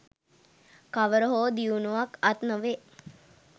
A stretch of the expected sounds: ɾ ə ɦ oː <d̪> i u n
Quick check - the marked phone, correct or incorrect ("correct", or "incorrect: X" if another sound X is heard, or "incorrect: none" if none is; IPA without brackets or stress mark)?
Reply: correct